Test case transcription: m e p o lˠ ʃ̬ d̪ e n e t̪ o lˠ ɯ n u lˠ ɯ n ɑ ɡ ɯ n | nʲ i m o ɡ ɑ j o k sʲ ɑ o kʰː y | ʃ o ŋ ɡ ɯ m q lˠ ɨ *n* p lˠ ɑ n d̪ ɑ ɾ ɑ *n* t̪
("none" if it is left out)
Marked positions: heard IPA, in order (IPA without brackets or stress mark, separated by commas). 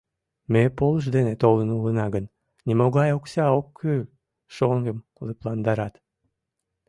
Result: none, none